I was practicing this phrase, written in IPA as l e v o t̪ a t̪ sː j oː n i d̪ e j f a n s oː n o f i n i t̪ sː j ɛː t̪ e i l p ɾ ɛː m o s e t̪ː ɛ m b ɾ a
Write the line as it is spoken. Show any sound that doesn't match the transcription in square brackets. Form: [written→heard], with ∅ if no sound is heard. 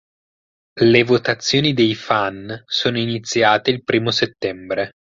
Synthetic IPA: l e v o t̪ a t̪ sː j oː n i d̪ e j f a n s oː n o [f→∅] i n i t̪ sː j [ɛː→aː] t̪ e i l p ɾ [ɛː→iː] m o s e t̪ː ɛ m b ɾ [a→e]